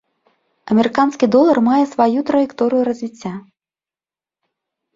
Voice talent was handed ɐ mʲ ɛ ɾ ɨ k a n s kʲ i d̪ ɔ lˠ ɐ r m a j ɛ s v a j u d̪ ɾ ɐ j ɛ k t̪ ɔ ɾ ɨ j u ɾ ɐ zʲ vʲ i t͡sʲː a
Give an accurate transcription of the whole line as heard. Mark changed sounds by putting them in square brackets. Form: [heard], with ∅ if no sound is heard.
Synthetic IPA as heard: ɐ mʲ ɛ ɾ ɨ k a n s kʲ i d̪ ɔ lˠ ɐ r m a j ɛ s v a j u [t̪] ɾ ɐ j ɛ k t̪ ɔ ɾ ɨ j u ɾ ɐ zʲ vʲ i t͡sʲː a